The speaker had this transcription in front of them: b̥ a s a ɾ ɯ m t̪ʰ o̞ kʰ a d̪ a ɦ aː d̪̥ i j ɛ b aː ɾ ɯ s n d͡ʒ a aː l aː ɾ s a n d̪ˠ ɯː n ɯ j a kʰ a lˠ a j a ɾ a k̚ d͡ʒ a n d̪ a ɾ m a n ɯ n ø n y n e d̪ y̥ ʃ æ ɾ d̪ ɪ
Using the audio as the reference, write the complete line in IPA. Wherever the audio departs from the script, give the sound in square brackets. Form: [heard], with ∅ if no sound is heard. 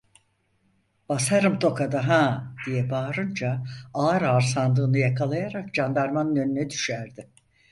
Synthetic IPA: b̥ a s a ɾ ɯ m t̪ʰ o̞ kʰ a d̪ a ɦ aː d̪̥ i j ɛ b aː ɾ ɯ [∅] n d͡ʒ a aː [ɾ] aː ɾ s a n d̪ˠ ɯː n ɯ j a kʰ a lˠ a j a ɾ a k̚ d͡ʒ a n d̪ a ɾ m a n ɯ n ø n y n [ɛ] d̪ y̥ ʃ æ ɾ d̪ ɪ

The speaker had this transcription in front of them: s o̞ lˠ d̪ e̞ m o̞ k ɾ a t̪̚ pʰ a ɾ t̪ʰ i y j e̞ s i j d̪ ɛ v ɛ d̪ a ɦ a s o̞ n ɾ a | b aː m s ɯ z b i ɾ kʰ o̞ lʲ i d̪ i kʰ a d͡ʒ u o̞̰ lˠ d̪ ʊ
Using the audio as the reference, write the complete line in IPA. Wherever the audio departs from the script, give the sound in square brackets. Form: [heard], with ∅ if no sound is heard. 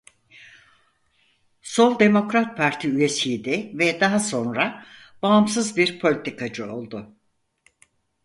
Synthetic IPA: s o̞ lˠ d̪ e̞ m o̞ k ɾ a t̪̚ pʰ a ɾ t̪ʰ i y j e̞ s i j d̪ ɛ v ɛ d̪ a ɦ a s o̞ n ɾ a | b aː m s ɯ z b i ɾ [pʰ] o̞ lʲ i [t̪] i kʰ a d͡ʒ [ɯ] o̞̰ lˠ d̪ ʊ

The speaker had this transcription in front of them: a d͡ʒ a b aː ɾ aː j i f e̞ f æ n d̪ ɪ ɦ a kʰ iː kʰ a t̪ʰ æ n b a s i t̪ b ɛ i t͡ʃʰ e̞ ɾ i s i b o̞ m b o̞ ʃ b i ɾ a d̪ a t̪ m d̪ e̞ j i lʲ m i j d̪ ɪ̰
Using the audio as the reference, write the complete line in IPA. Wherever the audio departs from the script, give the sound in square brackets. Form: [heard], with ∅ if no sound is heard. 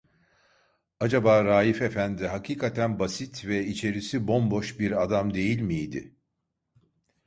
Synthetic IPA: a d͡ʒ a b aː ɾ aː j i f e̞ f æ n d̪ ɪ ɦ a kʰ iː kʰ a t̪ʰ æ n b a s i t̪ [v] ɛ i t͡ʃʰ e̞ ɾ i s i b o̞ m b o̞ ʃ b i ɾ a d̪ a [∅] m d̪ e̞ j i lʲ m i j d̪ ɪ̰

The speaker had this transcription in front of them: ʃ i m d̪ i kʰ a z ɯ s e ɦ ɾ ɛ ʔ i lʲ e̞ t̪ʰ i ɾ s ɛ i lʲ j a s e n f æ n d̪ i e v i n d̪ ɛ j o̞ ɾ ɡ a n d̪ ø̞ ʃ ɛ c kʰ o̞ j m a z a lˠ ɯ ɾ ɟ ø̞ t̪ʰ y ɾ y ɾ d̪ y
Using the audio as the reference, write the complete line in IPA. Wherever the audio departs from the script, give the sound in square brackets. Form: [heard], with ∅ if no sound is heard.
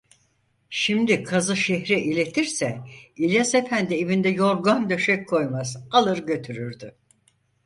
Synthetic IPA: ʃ i m d̪ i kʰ a z ɯ [ʃ] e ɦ ɾ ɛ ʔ i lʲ e̞ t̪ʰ i ɾ s ɛ i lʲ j a s e [∅] f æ n d̪ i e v i n d̪ ɛ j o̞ ɾ ɡ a n d̪ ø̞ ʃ ɛ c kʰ o̞ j m a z a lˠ ɯ ɾ ɟ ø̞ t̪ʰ y ɾ y ɾ d̪ y

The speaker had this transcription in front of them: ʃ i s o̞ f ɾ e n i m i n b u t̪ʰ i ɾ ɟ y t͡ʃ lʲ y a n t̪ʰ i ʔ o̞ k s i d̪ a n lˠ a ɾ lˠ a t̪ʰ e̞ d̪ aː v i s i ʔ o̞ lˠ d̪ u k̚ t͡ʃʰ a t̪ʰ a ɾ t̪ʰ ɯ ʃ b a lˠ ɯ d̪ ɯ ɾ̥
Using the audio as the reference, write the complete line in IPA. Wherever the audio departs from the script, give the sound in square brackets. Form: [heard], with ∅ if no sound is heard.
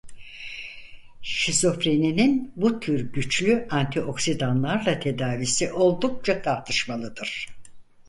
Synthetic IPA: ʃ i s o̞ f ɾ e n i [n] i n b u t̪ʰ [y] ɾ ɟ y t͡ʃ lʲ y a n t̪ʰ i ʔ o̞ k s i d̪ a n lˠ a ɾ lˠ a t̪ʰ e̞ d̪ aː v i s i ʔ o̞ lˠ d̪ u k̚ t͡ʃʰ a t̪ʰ a ɾ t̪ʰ ɯ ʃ [m] a lˠ ɯ d̪ ɯ ɾ̥

